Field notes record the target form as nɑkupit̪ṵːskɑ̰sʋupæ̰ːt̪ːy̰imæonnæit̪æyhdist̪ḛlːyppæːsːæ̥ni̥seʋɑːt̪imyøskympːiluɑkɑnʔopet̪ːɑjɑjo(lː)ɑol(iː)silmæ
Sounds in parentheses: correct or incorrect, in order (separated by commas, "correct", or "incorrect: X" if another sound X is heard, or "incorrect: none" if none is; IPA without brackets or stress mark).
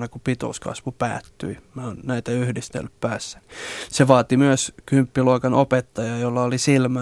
correct, incorrect: i